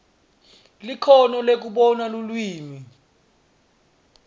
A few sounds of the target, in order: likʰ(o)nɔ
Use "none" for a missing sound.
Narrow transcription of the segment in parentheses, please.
ɔ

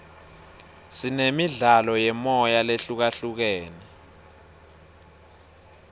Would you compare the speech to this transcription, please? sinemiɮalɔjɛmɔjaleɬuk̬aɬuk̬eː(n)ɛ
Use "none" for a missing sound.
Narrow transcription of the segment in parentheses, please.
n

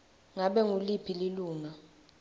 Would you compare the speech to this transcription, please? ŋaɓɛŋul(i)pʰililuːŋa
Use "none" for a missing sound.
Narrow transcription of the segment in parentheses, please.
i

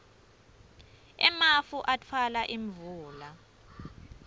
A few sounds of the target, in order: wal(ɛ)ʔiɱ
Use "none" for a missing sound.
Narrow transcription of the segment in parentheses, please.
a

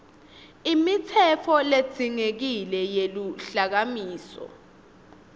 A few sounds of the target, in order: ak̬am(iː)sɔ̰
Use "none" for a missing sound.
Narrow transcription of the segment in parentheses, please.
iː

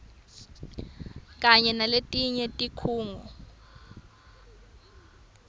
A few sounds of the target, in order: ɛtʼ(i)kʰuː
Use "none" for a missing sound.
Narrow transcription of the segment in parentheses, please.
i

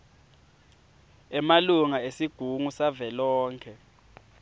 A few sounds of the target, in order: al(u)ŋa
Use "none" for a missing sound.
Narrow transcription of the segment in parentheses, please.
u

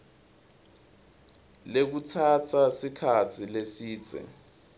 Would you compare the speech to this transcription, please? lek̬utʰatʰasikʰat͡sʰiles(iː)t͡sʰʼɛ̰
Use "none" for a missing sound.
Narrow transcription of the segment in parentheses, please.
iː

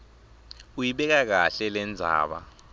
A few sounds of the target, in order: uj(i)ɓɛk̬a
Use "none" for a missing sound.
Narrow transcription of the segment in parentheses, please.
i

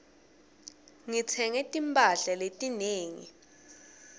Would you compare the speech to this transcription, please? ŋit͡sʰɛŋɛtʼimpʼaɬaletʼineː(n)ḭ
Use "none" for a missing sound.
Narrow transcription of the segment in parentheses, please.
ŋ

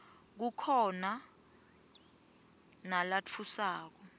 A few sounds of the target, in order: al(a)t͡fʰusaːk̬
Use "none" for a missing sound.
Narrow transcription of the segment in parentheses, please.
a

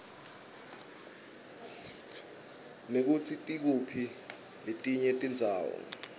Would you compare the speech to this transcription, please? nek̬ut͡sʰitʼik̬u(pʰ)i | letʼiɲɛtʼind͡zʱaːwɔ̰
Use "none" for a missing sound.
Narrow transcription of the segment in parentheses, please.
pʰ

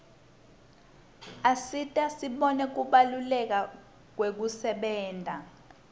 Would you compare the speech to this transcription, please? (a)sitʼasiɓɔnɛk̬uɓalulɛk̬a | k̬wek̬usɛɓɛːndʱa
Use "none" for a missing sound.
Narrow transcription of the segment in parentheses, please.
a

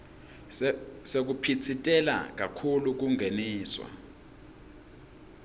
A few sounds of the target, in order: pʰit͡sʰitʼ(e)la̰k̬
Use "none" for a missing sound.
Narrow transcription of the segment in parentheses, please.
ɛ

